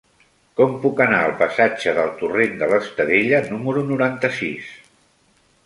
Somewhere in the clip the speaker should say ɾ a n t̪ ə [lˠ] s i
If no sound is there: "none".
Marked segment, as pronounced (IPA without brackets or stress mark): none